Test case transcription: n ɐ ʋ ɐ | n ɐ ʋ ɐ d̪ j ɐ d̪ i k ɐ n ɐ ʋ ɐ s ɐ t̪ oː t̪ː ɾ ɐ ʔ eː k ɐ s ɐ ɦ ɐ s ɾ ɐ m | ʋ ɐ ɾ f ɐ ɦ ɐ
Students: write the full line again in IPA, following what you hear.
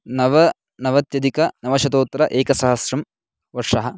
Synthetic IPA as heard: n ɐ ʋ ɐ | n ɐ ʋ ɐ t̪ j ɐ d̪ i k ɐ n ɐ ʋ ɐ ʃ ɐ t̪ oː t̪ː ɾ ɐ ʔ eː k ɐ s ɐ ɦ ɐ s ɾ ɐ m | ʋ ɐ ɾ ʂ ɐ ɦ ɐ

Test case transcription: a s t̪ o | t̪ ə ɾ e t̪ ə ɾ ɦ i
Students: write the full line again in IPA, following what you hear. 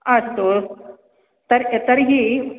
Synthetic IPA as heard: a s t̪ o | t̪ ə ɾ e t̪ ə ɾ ɦ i

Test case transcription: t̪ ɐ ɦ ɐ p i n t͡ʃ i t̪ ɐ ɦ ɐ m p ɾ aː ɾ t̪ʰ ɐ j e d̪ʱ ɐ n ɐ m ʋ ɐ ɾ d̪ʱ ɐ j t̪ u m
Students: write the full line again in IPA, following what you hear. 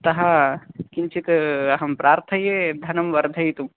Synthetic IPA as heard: t̪ ɐ ɦ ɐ k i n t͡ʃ i t̪ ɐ ɦ ɐ m p ɾ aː ɾ t̪ʰ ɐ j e d̪ʱ ɐ n ɐ m ʋ ɐ ɾ d̪ʱ ɐ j t̪ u m

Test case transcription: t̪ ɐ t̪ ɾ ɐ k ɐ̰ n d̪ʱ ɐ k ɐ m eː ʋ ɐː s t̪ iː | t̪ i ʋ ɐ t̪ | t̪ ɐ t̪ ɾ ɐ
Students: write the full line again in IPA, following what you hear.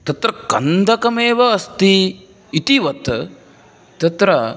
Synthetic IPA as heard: t̪ ɐ t̪ ɾ ɐ k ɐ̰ n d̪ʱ ɐ k ɐ m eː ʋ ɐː s t̪ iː | t̪ i ʋ ɐ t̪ | t̪ ɐ t̪ ɾ ɐ

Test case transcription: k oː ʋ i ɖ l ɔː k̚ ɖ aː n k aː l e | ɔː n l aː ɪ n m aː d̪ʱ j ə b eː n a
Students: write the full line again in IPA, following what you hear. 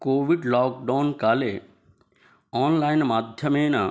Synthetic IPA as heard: k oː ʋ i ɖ l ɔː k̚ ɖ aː n k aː l e | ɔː n l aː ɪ n m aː d̪ʱ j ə m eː n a

